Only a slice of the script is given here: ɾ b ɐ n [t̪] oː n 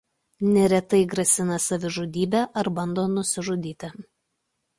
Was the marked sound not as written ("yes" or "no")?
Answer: yes